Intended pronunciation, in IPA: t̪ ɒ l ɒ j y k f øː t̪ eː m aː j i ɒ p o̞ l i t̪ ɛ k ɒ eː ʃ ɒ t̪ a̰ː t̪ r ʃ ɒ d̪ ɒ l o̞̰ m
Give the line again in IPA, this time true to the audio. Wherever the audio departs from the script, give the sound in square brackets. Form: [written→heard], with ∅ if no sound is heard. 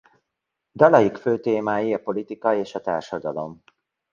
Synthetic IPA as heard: [t̪→d̪] ɒ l ɒ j [y→i] k f øː t̪ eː m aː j i ɒ p o̞ l i t̪ [ɛ→i] k ɒ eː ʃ ɒ t̪ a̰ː [t̪→∅] r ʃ ɒ d̪ ɒ l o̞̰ m